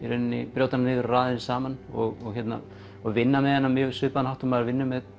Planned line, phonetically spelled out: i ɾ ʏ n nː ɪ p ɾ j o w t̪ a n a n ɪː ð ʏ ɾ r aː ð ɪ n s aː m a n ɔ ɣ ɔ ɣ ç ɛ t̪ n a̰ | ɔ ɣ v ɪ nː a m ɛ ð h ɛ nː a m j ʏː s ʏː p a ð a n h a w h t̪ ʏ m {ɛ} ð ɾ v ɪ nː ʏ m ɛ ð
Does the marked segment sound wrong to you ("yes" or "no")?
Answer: yes